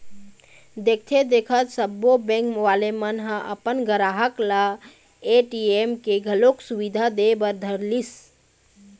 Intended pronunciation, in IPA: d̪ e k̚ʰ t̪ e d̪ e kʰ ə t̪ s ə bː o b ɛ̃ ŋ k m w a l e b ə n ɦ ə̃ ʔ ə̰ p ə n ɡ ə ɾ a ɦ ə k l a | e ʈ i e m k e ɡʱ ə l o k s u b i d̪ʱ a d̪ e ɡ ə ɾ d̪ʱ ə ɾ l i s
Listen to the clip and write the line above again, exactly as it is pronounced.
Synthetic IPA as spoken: d̪ e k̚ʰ t̪ʰ e d̪ e kʰ ə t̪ s ə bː o b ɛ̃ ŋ k m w a l e m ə n ɦ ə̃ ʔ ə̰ p ə n ɡ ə ɾ a ɦ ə k l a | e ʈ i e m k e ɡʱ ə l o k s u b i d̪ʱ a d̪ e b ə ɾ d̪ʱ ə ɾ l i s